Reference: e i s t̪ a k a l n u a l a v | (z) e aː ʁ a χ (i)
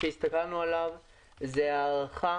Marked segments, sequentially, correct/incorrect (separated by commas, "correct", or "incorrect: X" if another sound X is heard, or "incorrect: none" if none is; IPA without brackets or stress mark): correct, incorrect: a